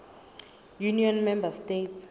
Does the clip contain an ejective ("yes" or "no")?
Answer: no